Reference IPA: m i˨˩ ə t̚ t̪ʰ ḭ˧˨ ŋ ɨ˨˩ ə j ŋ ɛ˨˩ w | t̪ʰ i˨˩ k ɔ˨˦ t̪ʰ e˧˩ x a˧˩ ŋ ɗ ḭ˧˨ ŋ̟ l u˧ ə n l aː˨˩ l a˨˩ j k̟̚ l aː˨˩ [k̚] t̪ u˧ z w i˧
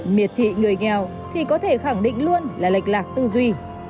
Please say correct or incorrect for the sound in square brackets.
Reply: correct